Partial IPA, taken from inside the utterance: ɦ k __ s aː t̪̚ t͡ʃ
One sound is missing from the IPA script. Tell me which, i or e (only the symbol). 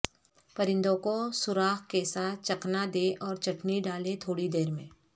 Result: e